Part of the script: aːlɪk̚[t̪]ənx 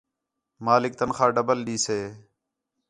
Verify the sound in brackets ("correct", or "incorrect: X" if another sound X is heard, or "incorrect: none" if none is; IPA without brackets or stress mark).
correct